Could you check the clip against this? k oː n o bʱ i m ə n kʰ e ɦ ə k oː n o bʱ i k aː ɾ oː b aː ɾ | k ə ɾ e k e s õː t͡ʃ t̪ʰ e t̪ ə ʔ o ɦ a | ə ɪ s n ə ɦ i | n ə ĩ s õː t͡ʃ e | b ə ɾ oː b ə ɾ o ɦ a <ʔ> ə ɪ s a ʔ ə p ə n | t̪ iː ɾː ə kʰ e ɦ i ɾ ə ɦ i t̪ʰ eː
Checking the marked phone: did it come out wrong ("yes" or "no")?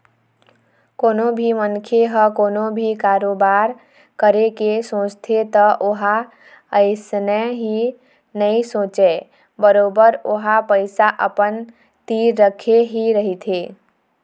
yes